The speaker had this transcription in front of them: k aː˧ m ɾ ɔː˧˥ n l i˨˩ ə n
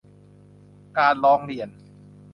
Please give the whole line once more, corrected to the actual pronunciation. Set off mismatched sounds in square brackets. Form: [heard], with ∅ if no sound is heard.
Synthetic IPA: k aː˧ [n] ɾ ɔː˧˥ [ŋ] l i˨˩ ə n